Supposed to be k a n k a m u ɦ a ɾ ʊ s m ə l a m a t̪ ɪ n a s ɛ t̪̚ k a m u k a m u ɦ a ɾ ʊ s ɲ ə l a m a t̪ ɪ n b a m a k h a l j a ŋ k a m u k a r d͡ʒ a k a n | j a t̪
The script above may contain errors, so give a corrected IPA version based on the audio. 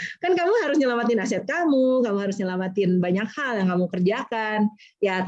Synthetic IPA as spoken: k a n k a m u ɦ a ɾ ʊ s ɲ ə l a m a t̪ ɪ n a s ɛ t̪̚ k a m u k a m u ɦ a ɾ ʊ s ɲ ə l a m a t̪ ɪ n b a ɲ a k h a l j a ŋ k a m u k ə r d͡ʒ a k a n | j a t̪